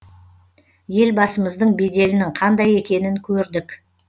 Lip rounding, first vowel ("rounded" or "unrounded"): unrounded